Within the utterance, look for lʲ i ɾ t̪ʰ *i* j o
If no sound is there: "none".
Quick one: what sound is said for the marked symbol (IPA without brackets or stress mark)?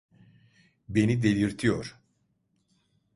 i